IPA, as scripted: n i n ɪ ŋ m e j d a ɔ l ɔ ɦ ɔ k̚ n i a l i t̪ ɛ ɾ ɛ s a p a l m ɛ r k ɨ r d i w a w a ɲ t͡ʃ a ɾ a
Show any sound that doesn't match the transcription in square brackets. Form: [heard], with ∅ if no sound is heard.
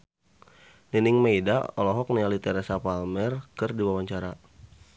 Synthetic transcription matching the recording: n i n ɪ ŋ m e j d a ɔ l ɔ ɦ ɔ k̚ n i a l i t̪ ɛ ɾ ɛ s a p a l m ɛ r k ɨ r d i w a w a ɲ t͡ʃ a ɾ a